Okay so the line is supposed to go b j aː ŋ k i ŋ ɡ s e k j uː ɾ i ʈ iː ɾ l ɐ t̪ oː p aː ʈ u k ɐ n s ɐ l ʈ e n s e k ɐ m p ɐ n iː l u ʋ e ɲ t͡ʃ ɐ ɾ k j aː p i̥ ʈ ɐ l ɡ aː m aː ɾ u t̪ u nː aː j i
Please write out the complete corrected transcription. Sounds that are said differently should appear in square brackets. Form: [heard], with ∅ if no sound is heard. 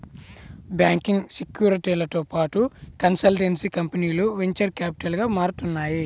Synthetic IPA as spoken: b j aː ŋ k i ŋ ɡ s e k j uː ɾ i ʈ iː [∅] l ɐ t̪ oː p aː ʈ u k ɐ n s ɐ l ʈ e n s [i] k ɐ m p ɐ n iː l u ʋ e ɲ t͡ʃ ɐ ɾ k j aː p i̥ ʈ ɐ l ɡ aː m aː ɾ u t̪ u nː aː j i